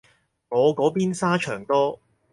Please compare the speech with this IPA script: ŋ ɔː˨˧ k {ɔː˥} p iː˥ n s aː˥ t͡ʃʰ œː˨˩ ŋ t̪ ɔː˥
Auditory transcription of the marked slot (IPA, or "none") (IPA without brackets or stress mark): ɔː˨˥